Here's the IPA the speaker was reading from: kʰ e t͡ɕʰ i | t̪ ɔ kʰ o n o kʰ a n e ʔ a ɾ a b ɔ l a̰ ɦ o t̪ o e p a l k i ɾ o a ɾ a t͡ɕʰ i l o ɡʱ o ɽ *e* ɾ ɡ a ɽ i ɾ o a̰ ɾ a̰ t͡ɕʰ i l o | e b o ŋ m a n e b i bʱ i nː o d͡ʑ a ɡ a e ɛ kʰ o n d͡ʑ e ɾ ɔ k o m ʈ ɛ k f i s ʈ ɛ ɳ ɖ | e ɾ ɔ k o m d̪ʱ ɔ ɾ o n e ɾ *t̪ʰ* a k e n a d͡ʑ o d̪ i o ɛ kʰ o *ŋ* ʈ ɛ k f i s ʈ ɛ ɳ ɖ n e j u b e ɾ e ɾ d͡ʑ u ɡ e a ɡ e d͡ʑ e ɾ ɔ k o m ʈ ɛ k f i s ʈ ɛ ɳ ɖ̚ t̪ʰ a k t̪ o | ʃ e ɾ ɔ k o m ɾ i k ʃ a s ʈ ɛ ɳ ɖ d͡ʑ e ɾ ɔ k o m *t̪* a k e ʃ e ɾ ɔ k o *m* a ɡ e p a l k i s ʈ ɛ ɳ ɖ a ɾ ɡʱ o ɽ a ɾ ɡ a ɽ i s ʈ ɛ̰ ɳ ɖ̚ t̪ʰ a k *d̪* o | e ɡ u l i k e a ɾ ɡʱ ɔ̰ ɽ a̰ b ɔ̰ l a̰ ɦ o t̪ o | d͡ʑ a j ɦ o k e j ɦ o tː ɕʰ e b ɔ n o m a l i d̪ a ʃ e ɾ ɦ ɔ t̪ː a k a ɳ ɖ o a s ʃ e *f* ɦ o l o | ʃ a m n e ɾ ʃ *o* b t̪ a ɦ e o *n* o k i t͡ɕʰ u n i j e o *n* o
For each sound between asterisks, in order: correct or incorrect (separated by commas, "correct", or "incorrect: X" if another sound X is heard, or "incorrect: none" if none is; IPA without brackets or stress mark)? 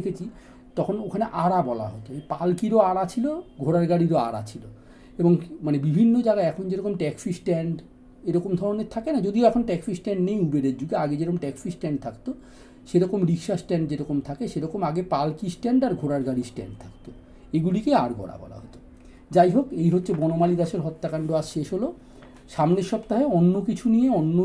incorrect: a, correct, incorrect: n, incorrect: t̪ʰ, correct, incorrect: t̪, incorrect: ʃ, incorrect: ɔ, incorrect: nː, incorrect: nː